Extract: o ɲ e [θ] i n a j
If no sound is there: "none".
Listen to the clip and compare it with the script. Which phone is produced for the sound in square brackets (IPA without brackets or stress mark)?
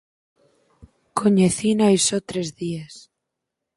θ